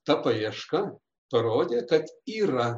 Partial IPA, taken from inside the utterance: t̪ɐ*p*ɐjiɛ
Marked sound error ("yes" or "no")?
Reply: no